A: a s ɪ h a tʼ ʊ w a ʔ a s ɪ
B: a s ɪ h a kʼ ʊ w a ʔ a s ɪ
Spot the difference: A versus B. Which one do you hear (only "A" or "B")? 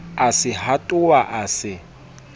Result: A